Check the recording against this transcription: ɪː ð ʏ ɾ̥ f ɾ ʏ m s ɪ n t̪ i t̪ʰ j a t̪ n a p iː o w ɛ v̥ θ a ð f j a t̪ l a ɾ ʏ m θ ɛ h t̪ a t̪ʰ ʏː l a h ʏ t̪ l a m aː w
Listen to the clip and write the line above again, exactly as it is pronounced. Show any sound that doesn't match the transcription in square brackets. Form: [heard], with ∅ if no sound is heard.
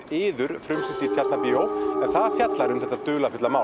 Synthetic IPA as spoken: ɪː ð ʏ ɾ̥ f ɾ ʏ m s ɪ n t̪ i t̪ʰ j a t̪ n a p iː o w ɛ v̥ θ a ð f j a t̪ l a ɾ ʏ m θ ɛ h t̪ a [t̪] ʏː l a [f] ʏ t̪ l a m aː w